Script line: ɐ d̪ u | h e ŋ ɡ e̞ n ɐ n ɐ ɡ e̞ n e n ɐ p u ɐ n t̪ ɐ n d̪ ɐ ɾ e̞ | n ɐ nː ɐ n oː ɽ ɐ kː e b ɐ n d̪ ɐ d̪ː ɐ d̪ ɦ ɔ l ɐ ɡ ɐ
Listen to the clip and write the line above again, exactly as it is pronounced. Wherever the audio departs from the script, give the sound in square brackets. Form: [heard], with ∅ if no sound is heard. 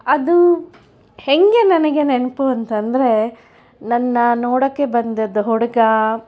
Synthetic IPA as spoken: ɐ d̪ u | h e ŋ ɡ e̞ n ɐ n ɐ ɡ e̞ n e n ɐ p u ɐ n t̪ ɐ n d̪ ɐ ɾ e̞ | n ɐ nː ɐ n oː ɽ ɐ kː e b ɐ n d̪ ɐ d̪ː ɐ [∅] ɦ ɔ [ɽ] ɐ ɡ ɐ